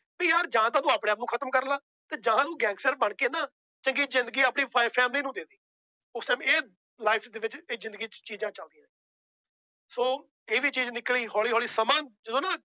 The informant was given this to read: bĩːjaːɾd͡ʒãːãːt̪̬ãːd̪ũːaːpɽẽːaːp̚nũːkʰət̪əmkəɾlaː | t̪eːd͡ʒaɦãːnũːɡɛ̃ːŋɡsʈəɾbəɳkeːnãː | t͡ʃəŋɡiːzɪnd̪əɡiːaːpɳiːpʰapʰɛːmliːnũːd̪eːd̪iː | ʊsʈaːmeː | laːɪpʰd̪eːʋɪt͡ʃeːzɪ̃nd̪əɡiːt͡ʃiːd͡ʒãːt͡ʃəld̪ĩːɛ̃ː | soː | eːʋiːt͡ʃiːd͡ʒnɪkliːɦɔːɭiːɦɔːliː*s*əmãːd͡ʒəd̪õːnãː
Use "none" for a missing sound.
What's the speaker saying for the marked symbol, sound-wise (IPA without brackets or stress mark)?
s